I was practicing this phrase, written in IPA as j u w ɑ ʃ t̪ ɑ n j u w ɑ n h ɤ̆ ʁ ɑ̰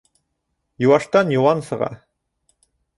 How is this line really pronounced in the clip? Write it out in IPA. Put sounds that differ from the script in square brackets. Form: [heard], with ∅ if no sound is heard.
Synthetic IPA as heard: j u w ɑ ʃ t̪ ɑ n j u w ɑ n [s] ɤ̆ ʁ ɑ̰